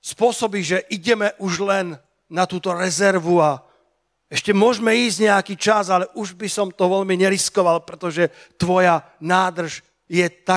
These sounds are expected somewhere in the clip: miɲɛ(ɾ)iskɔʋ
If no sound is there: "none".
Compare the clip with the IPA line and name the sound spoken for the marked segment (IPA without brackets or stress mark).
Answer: ɾ